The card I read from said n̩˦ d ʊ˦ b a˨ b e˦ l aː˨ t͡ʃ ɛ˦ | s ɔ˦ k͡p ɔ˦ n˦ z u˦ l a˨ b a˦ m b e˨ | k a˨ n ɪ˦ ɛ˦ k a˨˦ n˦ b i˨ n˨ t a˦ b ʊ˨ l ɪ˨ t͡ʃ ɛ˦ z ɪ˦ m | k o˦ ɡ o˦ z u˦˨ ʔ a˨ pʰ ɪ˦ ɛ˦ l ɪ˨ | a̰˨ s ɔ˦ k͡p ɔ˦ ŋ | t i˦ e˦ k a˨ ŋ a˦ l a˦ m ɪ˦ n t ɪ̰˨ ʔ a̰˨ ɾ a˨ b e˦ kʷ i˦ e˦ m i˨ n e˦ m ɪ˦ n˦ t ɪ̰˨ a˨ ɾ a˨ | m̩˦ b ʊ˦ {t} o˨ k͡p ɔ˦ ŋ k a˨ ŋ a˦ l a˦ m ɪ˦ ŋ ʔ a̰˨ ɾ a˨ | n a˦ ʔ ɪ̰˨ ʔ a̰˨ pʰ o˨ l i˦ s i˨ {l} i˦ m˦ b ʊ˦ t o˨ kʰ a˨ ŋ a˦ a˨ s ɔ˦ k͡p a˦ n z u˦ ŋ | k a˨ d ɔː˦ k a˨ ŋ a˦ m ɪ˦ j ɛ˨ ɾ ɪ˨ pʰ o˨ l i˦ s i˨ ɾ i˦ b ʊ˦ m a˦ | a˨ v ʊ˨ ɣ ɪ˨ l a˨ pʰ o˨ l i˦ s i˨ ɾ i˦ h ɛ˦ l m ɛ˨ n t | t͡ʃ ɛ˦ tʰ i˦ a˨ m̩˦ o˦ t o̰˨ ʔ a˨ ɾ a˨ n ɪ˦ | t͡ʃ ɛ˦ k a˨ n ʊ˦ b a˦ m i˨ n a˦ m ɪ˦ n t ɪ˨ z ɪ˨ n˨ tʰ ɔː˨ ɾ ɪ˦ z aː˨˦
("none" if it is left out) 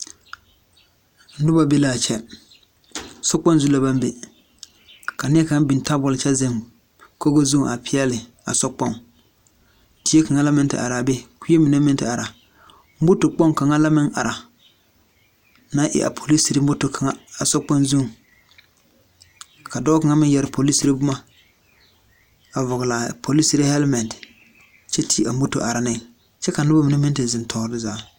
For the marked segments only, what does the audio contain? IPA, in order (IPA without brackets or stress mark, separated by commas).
t, ɾ